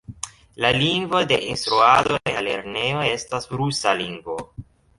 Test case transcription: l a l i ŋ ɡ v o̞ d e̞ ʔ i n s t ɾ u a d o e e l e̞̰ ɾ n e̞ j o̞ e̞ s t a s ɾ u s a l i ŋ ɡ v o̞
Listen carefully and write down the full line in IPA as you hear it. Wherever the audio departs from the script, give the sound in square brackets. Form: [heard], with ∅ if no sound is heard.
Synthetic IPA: l a l i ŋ ɡ v o̞ d e̞ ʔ i n s t ɾ u a d o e [a] l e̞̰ ɾ n e̞ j o̞ e̞ s t a s ɾ u s a l i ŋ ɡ v o̞

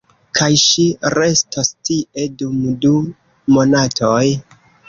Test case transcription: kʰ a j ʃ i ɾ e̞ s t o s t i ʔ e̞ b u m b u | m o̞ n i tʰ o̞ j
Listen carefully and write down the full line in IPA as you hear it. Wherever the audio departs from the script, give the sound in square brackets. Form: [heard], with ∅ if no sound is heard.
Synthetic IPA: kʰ a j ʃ i ɾ e̞ s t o s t i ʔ e̞ [d] u m [d] u | m o̞ n [a] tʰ o̞ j

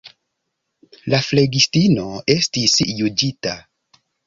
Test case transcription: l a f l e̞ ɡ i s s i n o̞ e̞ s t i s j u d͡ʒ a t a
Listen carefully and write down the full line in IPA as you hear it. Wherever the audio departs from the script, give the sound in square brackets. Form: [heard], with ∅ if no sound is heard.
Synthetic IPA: l a f l e̞ ɡ i s [t] i n o̞ e̞ s t i s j u d͡ʒ [i] t a

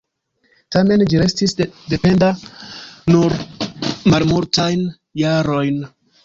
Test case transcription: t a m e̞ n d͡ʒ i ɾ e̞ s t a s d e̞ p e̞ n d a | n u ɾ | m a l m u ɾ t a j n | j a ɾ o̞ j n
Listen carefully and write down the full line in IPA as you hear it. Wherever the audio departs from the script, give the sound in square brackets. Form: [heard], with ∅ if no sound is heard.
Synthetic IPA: t a m e̞ n d͡ʒ i ɾ e̞ s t [i] s d e̞ p e̞ n d a | n u ɾ | m a l m u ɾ t a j n | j a ɾ o̞ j n

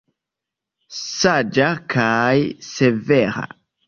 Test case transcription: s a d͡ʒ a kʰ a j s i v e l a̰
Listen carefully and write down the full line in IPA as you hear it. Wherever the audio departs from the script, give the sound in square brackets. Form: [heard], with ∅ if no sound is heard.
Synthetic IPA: s a d͡ʒ a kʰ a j s [e] v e [ɾ] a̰

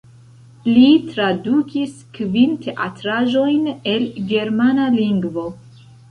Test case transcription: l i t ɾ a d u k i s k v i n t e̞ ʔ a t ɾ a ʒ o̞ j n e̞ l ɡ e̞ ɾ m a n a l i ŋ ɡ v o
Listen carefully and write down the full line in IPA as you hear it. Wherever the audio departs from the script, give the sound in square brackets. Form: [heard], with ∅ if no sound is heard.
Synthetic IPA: l i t ɾ a d u k i s k v i n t e̞ ʔ a t ɾ a ʒ o̞ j n e̞ l ɡ e̞ ɾ m a n a l i ŋ ɡ v o

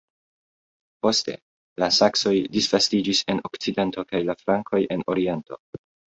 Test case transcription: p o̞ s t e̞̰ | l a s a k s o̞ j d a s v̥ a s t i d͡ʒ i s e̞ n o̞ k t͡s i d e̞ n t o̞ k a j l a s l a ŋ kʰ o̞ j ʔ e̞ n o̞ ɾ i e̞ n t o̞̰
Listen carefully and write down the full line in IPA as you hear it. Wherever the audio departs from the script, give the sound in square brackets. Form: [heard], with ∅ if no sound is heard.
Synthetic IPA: p o̞ s t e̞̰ | l a s a k s o̞ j d [i] s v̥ a s t i d͡ʒ i s e̞ n o̞ k t͡s i d e̞ n t o̞ k a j l a [f] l a ŋ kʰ o̞ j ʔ e̞ n o̞ ɾ i e̞ n t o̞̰

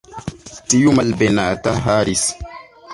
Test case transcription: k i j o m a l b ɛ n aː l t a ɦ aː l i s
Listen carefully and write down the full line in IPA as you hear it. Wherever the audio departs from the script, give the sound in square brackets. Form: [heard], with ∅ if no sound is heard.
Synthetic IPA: [t] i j [u] m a l b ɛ n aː [∅] t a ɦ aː [ɾ] i s

